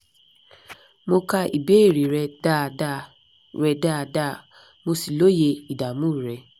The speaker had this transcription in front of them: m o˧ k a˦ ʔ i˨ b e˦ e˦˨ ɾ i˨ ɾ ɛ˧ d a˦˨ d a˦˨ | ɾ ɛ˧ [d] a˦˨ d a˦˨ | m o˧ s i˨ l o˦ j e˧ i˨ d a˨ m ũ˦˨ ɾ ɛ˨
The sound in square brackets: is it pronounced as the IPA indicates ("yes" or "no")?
yes